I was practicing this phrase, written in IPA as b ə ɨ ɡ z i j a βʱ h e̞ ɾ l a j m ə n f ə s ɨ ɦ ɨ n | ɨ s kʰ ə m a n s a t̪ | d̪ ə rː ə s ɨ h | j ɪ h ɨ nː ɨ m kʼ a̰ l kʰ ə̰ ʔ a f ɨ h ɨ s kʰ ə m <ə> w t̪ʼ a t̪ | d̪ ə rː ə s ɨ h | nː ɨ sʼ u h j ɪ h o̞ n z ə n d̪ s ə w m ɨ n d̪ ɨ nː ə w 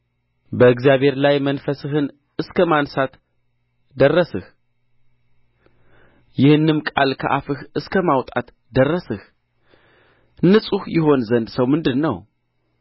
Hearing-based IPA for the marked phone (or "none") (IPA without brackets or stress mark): a